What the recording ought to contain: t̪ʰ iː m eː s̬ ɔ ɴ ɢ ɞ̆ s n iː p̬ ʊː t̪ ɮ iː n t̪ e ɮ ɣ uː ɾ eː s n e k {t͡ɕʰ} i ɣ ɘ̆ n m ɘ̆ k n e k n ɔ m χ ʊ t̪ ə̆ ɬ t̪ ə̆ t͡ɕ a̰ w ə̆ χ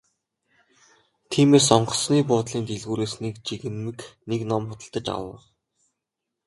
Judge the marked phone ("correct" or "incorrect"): incorrect